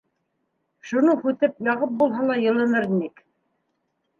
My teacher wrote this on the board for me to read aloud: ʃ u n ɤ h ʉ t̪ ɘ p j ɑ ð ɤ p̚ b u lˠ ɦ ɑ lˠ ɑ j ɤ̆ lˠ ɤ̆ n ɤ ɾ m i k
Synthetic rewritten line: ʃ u n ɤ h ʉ t̪ ɘ p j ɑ ʁ ɤ p̚ b u lˠ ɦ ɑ lˠ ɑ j ɤ̆ lˠ ɤ̆ n ɤ ɾ n i k